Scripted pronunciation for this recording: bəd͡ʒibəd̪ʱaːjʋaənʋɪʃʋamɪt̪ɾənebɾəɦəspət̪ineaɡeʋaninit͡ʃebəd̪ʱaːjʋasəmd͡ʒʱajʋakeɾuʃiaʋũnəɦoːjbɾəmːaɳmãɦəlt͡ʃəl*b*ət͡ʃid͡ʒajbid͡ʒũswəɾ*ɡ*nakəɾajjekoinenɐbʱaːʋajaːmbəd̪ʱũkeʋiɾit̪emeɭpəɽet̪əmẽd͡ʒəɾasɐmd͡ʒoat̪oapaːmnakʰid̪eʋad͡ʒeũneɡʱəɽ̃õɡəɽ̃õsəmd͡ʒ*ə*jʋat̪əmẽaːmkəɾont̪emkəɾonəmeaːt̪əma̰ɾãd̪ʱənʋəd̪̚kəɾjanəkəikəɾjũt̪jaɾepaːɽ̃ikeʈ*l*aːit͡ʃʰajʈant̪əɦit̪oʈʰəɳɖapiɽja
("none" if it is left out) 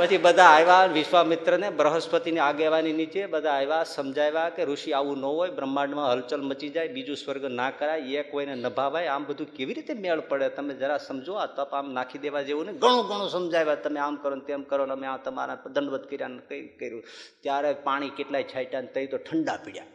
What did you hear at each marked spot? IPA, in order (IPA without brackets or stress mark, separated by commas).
m, ɡ, a, l